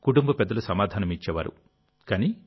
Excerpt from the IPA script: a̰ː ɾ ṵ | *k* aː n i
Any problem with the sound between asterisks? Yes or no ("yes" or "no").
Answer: no